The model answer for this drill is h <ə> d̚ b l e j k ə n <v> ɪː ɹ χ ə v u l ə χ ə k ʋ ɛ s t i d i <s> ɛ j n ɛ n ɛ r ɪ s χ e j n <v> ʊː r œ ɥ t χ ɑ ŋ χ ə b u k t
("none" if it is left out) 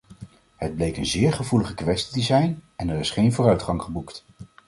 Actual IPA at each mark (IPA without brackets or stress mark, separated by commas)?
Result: ə, z, z, v